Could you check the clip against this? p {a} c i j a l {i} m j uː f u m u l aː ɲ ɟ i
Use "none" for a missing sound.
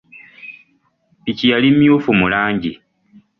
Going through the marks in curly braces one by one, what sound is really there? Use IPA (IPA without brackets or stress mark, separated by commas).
i, i